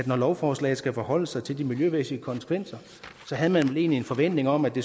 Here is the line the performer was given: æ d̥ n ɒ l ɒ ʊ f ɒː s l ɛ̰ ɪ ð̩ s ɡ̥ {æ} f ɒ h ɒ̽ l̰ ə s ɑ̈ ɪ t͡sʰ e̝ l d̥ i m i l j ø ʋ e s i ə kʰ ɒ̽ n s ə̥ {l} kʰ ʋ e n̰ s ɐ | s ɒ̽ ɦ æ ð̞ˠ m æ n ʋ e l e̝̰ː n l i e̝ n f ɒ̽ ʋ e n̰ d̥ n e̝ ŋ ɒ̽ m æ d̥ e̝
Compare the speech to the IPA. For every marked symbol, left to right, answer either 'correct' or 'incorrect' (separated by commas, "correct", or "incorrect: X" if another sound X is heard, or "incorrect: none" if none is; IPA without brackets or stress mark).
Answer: correct, incorrect: none